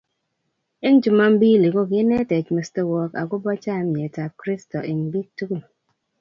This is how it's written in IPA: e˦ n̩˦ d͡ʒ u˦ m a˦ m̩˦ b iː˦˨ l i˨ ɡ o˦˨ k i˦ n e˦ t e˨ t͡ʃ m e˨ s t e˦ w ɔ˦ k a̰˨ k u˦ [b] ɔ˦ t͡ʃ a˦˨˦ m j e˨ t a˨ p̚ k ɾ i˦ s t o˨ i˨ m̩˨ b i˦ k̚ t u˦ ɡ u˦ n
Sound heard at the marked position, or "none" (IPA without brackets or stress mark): b